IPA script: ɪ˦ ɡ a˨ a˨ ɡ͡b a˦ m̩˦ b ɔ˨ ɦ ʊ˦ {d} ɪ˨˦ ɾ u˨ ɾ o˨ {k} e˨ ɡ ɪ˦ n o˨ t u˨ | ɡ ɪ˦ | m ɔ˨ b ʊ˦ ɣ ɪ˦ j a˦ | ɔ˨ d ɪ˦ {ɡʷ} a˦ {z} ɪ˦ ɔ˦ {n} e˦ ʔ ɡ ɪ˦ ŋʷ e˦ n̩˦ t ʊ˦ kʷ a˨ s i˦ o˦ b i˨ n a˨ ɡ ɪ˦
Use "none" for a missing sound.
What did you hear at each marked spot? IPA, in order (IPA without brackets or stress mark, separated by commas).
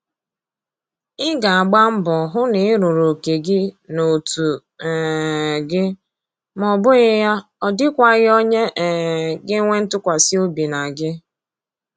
n, k, kʷ, ɣ, ɲ